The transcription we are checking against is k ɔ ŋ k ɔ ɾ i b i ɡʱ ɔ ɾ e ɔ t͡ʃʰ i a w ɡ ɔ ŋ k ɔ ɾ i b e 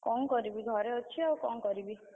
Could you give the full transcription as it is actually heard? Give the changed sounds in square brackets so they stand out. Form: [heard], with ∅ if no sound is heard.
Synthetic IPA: k ɔ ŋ k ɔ ɾ i b i ɡʱ ɔ ɾ e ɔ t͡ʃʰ i a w [k] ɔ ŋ k ɔ ɾ i b [i]